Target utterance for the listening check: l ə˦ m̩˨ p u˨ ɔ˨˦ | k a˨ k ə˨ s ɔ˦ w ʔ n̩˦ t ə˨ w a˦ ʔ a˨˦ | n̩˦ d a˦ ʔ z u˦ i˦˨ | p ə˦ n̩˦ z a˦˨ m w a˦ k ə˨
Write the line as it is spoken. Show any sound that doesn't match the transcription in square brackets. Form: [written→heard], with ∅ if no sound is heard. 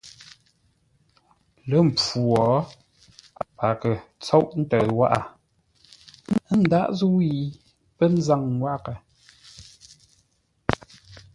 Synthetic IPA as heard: l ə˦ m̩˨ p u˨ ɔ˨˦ | [k→p] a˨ k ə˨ [s→t͡s] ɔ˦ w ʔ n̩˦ t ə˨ w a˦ ʔ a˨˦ | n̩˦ d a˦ ʔ z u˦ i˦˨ | p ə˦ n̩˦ z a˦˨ [m→ŋ] w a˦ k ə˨